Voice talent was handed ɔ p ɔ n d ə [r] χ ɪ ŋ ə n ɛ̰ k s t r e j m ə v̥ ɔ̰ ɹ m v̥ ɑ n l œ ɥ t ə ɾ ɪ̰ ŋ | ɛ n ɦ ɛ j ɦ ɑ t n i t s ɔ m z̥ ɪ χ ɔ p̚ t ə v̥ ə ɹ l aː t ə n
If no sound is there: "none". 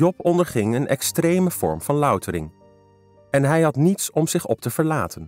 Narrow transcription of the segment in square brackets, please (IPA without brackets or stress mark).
ɹ